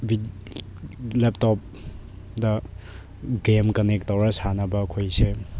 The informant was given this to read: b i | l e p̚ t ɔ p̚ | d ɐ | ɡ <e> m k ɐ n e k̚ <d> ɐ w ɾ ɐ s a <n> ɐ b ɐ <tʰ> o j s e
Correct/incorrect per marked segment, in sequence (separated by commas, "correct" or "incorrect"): correct, incorrect, correct, incorrect